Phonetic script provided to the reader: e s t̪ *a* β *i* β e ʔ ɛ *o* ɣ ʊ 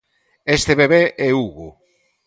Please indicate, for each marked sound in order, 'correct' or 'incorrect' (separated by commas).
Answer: incorrect, incorrect, incorrect